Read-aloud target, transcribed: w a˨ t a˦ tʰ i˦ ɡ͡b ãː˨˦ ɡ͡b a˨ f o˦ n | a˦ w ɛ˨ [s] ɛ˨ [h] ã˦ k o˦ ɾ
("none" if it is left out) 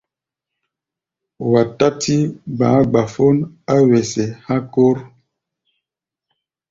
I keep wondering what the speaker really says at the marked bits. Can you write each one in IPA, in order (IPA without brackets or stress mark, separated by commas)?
s, h